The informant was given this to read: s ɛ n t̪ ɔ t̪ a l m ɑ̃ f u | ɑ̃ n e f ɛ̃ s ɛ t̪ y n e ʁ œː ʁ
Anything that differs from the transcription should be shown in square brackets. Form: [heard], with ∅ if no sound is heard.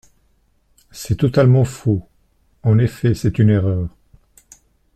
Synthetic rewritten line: s ɛ [∅] t̪ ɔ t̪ a l m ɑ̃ f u | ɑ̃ n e f [ɛ] s ɛ t̪ y n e ʁ œː ʁ